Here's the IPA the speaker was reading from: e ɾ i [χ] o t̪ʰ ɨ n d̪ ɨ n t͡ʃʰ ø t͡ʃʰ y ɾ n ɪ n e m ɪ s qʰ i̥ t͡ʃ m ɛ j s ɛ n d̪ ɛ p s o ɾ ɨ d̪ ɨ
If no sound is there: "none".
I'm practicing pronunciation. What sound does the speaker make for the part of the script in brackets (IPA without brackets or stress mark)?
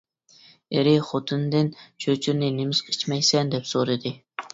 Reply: χ